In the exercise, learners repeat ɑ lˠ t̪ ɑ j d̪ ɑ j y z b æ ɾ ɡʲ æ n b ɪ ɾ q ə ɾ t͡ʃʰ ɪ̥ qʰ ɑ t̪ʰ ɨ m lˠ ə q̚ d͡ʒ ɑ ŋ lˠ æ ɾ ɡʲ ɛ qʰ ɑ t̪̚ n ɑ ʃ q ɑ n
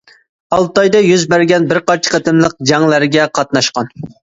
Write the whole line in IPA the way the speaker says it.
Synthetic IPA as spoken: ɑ lˠ t̪ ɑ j d̪ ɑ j y z b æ ɾ ɡʲ ɛ n b ɪ ɾ q ɑ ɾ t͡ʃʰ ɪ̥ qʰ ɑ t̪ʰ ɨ m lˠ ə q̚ d͡ʒ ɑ ŋ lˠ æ ɾ ɡʲ ɛ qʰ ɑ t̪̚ n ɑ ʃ q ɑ n